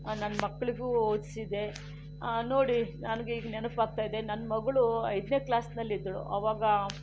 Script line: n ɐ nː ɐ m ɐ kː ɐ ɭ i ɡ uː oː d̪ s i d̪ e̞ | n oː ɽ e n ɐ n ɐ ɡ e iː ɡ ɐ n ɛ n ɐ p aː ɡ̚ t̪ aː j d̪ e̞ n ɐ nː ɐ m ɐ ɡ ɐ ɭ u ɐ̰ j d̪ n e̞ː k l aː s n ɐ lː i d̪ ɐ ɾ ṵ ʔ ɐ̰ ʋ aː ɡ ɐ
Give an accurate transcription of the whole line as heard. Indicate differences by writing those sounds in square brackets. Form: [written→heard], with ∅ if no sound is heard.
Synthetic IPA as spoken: n ɐ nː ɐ m ɐ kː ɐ ɭ i ɡ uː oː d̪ s i d̪ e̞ | n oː ɽ [e→i] n ɐ n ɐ ɡ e iː ɡ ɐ n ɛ n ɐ p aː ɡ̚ t̪ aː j d̪ e̞ n ɐ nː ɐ m ɐ ɡ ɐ ɭ u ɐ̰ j d̪ n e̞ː k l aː s n ɐ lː i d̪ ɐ [ɾ→ɭ] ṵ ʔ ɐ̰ ʋ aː ɡ ɐ